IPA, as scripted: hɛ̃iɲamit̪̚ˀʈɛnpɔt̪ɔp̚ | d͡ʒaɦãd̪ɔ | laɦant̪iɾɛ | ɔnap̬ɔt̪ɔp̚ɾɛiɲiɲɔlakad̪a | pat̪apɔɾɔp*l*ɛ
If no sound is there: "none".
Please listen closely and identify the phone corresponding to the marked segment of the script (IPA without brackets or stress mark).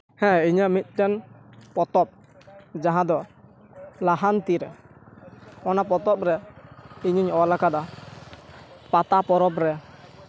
ɾ